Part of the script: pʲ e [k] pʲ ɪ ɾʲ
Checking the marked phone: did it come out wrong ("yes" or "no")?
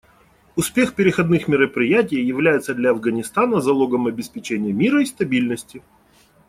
yes